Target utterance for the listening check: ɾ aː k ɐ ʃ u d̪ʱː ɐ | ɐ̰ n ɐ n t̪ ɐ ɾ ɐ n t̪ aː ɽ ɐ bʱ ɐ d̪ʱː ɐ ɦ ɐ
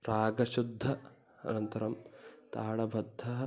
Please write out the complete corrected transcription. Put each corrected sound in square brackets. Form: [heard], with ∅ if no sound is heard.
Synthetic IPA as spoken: ɾ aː [ɡ] ɐ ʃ u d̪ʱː ɐ | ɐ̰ n ɐ n t̪ ɐ ɾ ɐ [m] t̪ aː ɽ ɐ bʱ ɐ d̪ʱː ɐ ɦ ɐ